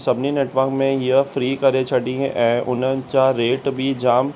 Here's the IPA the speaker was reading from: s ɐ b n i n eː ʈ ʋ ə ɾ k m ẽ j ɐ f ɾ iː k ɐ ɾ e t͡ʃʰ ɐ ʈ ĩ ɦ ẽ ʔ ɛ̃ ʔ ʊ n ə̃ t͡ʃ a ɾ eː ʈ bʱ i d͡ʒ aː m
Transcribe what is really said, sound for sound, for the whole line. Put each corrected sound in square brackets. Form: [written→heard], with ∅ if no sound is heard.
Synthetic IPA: s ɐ b n i n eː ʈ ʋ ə ɾ k m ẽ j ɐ f ɾ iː k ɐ ɾ e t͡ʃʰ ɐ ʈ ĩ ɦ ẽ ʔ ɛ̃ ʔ ʊ n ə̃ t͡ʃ a ɾ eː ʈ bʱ i d͡ʒ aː m